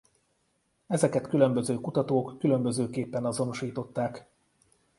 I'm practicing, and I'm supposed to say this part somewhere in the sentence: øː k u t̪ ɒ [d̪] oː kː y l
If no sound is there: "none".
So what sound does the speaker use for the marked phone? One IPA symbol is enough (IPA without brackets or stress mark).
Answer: t̪